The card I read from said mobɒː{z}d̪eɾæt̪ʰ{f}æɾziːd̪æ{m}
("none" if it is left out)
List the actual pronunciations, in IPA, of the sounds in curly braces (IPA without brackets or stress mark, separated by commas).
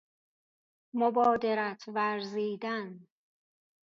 none, v, n